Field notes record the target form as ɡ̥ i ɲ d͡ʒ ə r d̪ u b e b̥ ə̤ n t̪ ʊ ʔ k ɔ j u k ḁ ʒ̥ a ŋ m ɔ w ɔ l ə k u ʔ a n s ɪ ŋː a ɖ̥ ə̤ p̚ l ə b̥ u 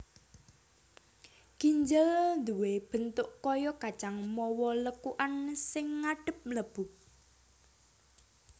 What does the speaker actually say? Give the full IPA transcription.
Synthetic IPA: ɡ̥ i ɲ d͡ʒ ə l d̪ u w e b̥ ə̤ n t̪ ʊ ʔ k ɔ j ɔ k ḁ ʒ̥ a ŋ m ɔ w ɔ l ə k u ʔ a n s ɪ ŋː a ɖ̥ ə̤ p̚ l ə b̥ u